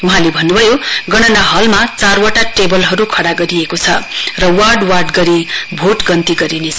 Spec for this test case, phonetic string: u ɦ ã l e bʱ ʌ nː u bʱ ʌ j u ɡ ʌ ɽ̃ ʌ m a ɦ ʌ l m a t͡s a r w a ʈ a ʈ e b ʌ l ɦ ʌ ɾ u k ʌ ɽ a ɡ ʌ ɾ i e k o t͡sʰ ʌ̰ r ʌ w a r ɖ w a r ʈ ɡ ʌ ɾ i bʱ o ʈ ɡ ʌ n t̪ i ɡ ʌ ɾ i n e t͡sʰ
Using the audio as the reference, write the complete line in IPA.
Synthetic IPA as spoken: u ɦ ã l e bʱ ʌ nː u bʱ ʌ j o ɡ ʌ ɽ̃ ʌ n a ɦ ʌ l m a t͡s a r w a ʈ a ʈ e b ʌ l ɦ ʌ ɾ u kʰ ʌ ɽ a ɡ ʌ ɾ i e k o t͡sʰ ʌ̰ r ʌ w a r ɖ w a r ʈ ɡ ʌ ɾ i bʱ o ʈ ɡ ʌ n t̪ i ɡ ʌ ɾ i n e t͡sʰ

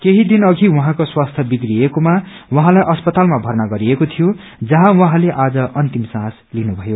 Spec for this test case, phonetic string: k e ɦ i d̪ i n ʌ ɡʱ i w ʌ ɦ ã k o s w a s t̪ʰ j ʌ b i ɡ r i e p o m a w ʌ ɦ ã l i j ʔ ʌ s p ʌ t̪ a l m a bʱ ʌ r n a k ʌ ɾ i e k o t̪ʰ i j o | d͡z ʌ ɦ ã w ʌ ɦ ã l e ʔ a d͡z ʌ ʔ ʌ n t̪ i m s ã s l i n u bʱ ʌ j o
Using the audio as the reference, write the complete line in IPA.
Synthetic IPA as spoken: k e ɦ i d̪ i n ʌ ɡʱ i w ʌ ɦ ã k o s w a s t̪ʰ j ʌ b i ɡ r i e k o m a w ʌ ɦ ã l a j ʔ ʌ s p ʌ t̪ a l m a bʱ ʌ r n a ɡ ʌ ɾ i e k o t̪ʰ i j o | d͡z ʌ ɦ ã w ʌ ɦ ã l e ʔ a d͡z ʌ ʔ ʌ n t̪ i m s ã s l i n u bʱ ʌ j o

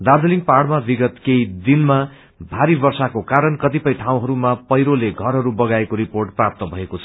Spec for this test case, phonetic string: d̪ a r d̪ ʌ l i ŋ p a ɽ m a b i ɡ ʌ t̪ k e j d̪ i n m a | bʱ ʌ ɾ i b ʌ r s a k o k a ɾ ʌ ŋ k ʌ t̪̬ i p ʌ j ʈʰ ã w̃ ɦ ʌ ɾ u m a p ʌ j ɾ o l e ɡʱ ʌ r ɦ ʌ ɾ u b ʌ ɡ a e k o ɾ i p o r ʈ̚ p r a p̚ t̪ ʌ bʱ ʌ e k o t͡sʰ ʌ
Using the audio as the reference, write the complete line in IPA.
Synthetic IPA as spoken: d̪ a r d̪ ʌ l i ŋ p a ɽ m a b i ɡ ʌ t̪ k e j d̪ i n m a | bʱ a ɾ i b ʌ r s a k o k a ɾ ʌ n k ʌ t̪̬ i p ʌ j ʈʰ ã w̃ ɦ ʌ ɾ u m a p ʌ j ɾ o l e ɡʱ ʌ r ɦ ʌ ɾ u b ʌ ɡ a e k o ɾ i p o r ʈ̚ p r a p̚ t̪ ʌ bʱ ʌ e k o t͡sʰ ʌ

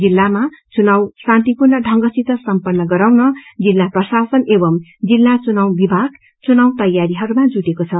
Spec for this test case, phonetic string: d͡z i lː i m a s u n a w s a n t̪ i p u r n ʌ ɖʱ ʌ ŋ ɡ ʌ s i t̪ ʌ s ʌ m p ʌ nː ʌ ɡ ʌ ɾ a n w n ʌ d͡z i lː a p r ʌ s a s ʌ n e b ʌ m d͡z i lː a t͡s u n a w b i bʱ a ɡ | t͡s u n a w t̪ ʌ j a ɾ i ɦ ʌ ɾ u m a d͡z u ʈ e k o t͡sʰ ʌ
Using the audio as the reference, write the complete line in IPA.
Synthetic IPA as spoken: d͡z i lː a m a t͡s u n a w s a n t̪ i p u r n ʌ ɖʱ ʌ ŋ ɡ ʌ s i t̪ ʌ s ʌ m p ʌ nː ʌ ɡ ʌ ɾ a w n ʌ d͡z i lː a p r ʌ s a s ʌ n e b ʌ m d͡z i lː a t͡s u n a w b i bʱ a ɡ | t͡s u n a w t̪ ʌ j a ɾ i ɦ ʌ ɾ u m a d͡z u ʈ e k o t͡sʰ ʌ

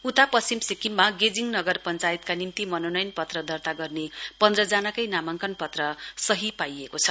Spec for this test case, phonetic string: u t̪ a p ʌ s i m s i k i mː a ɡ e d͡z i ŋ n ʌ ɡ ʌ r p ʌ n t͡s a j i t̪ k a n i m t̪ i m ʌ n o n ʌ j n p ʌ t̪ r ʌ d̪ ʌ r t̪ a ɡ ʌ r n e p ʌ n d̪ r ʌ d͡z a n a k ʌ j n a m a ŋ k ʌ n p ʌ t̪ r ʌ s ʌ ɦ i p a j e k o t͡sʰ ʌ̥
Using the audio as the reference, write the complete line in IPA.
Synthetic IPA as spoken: u t̪ a p ʌ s i m s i k i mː a ɡ e d͡z i ŋ n ʌ ɡ ʌ r p ʌ n t͡s a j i t̪ k a n i m t̪ i m ʌ n o n ʌ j n p ʌ t̪ r ʌ d̪ ʌ r t̪ a ɡ ʌ r n e p ʌ n d̪ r ʌ d͡z a n a k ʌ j n a m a ŋ k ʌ n p ʌ t̪ r ʌ s ʌ ɦ i p a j e k o t͡sʰ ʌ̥

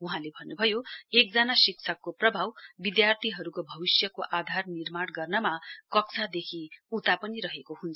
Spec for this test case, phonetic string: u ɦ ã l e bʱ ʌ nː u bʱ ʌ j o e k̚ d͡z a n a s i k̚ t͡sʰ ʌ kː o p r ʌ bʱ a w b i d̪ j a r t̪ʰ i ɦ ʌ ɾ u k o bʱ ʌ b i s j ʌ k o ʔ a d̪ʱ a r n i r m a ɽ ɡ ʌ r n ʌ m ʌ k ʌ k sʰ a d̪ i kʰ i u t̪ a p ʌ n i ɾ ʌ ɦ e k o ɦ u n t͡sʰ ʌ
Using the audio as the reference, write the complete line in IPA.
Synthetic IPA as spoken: u ɦ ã l e bʱ ʌ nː u bʱ ʌ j o e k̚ d͡z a n a s i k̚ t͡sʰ ʌ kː o p r ʌ bʱ a w b i d̪ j a r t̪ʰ i ɦ ʌ ɾ u k o bʱ ʌ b i s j ʌ k o ʔ a d̪ʱ a r n i r m a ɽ ɡ ʌ r n ʌ m a k ʌ k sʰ a d̪ e kʰ i u t̪ a p ʌ n i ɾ ʌ ɦ e k o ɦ u n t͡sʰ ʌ

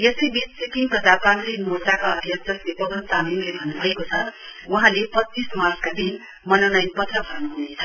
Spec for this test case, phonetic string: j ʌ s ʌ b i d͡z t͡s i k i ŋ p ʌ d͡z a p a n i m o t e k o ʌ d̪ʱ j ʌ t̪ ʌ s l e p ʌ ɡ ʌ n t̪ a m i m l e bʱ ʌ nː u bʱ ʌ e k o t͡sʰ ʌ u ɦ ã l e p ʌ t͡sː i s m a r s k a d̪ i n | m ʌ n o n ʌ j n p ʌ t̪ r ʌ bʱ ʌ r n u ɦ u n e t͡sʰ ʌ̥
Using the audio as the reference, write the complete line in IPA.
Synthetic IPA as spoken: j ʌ s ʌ b i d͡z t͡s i k i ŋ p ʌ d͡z a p a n i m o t a k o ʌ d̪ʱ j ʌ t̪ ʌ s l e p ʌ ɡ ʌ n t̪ a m i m l e bʱ ʌ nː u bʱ ʌ e k o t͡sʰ ʌ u ɦ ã l e p ʌ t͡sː i s m a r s k a d̪ i n | m ʌ n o n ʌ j n p ʌ t̪ r ʌ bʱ ʌ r n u ɦ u n e t͡sʰ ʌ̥

